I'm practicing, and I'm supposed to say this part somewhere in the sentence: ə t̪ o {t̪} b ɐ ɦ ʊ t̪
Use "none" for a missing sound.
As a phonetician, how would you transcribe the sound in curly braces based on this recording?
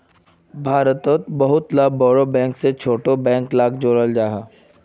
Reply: t̪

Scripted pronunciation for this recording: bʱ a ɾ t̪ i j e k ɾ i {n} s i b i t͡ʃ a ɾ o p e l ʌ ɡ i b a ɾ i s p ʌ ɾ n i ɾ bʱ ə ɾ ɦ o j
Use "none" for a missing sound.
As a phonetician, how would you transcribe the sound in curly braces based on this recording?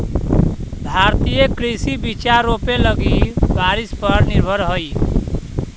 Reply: none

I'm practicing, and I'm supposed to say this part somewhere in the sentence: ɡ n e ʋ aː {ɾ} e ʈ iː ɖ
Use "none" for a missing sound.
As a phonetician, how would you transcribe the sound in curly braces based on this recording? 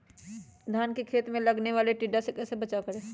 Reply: l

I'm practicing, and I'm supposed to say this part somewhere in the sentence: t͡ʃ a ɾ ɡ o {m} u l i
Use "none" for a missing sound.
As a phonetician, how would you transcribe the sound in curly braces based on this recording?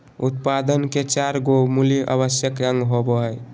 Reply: m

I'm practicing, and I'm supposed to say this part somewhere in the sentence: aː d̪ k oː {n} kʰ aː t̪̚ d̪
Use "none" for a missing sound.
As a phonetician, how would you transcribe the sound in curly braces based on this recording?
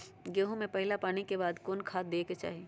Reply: n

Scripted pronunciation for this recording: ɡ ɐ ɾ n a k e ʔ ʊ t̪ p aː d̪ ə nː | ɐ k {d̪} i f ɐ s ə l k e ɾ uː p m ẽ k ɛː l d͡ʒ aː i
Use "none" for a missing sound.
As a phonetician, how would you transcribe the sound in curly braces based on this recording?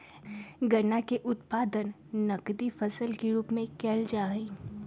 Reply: d̪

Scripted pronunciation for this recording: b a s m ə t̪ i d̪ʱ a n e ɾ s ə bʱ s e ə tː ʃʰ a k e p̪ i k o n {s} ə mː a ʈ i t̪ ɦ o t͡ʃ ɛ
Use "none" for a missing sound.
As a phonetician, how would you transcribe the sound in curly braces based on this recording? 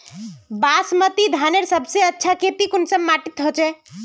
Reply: s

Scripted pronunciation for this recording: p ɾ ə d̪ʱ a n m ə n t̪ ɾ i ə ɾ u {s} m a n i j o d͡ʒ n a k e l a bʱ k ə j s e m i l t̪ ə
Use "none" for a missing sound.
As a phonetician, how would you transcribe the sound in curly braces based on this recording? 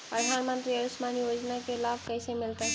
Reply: s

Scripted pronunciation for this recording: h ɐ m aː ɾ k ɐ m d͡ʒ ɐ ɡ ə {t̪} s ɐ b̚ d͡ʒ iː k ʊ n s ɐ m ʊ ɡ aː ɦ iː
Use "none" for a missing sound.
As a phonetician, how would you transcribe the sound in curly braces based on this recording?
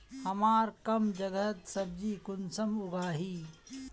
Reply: t̪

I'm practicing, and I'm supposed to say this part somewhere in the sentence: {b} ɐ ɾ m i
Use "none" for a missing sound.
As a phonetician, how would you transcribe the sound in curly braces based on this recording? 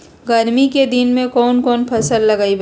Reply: ɡ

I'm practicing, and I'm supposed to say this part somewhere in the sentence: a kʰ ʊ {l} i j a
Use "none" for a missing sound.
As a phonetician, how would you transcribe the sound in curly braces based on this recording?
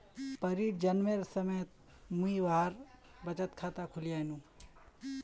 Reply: l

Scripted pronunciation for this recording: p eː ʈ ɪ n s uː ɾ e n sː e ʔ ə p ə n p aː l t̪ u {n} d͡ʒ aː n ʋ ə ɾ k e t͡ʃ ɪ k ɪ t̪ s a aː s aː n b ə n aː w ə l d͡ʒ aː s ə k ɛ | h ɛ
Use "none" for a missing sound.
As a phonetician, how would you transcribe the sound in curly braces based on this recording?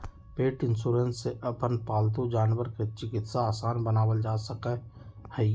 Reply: none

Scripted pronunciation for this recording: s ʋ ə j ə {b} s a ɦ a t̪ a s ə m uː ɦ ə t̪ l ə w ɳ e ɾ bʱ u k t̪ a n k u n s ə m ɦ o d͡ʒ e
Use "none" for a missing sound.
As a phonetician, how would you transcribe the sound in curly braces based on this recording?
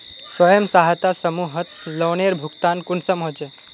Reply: m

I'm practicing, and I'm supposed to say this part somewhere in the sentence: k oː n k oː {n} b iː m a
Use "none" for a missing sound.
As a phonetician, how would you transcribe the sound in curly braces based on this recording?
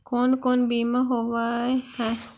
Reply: n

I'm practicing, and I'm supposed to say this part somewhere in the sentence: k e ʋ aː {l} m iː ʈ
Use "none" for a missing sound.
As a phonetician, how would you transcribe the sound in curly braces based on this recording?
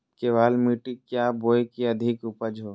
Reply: l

